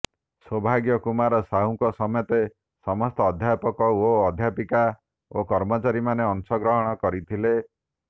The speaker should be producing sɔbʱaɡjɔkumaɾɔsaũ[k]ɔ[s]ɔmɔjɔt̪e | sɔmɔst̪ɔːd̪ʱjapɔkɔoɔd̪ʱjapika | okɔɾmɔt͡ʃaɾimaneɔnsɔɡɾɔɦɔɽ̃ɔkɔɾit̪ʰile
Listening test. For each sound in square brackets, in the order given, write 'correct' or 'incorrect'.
correct, correct

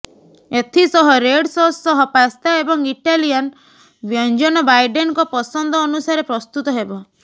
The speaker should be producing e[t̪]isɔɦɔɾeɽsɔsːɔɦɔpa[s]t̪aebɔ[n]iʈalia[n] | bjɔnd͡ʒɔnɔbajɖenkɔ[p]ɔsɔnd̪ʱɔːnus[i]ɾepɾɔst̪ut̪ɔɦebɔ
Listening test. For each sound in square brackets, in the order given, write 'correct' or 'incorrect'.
incorrect: t̪ʰ, correct, incorrect: ŋ, correct, correct, incorrect: a

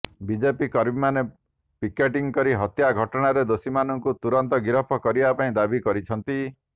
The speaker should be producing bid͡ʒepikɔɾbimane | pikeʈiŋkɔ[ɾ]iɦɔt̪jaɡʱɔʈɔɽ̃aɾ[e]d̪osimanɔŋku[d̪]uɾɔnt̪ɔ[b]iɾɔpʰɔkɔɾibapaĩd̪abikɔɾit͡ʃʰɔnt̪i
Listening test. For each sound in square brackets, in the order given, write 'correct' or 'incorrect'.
correct, correct, incorrect: t̪, incorrect: ɡ

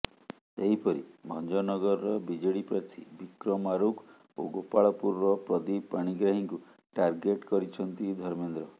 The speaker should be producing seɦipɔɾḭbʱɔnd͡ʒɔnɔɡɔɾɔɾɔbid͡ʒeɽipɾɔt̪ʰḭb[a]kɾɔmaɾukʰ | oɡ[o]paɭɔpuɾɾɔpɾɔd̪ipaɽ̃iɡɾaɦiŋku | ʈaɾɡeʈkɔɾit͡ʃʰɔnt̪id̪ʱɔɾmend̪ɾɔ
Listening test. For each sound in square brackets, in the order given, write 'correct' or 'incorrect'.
incorrect: i, correct

